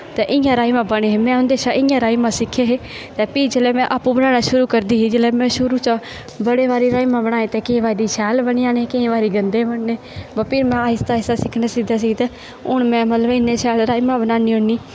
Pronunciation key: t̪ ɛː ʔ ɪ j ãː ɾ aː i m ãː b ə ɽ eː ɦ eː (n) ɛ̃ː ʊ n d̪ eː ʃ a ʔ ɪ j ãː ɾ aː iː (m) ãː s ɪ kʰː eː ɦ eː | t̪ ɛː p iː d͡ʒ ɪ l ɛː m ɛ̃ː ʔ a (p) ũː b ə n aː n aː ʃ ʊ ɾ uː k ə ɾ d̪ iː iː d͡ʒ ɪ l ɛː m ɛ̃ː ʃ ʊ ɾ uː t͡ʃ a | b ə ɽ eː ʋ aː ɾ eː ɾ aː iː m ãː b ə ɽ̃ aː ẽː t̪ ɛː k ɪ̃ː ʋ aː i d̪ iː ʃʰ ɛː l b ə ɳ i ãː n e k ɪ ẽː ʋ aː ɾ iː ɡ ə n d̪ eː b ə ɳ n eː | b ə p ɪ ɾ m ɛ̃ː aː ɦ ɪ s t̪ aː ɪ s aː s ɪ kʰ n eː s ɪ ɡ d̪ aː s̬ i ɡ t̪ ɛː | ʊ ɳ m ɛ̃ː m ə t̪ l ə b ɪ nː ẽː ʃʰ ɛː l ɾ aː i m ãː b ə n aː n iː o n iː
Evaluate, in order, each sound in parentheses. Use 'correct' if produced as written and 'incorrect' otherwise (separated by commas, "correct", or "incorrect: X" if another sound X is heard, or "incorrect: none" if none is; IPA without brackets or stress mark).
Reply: incorrect: m, correct, correct